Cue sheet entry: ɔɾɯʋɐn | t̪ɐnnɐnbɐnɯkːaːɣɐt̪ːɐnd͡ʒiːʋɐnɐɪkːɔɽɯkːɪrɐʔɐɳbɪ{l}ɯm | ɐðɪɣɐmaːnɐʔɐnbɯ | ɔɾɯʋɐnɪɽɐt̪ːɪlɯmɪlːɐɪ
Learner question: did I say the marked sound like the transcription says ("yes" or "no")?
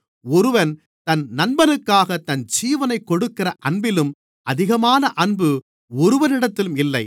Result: yes